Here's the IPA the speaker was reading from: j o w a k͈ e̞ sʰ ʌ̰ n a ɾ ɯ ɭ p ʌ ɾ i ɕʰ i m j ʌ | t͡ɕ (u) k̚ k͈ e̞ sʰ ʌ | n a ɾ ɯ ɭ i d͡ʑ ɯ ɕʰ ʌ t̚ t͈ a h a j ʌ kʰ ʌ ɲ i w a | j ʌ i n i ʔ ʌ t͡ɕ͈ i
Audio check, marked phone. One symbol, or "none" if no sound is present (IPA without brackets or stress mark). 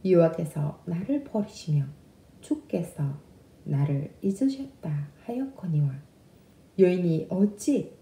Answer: u